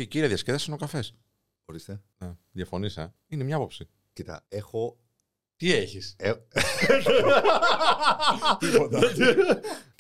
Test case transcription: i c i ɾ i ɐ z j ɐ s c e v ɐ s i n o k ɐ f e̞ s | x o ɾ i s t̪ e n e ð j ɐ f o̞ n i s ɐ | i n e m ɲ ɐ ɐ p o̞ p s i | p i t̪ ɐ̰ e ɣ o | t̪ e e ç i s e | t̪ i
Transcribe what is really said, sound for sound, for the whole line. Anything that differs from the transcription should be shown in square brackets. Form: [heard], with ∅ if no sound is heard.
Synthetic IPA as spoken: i c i ɾ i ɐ [ð] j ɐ s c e [ð] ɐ s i n o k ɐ f e̞ s | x o ɾ i s t̪ e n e ð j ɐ f o̞ n i s ɐ | i n e m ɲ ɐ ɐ p o̞ p s i | [c] i t̪ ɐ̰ e [x] o | t̪ [i] e ç i s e | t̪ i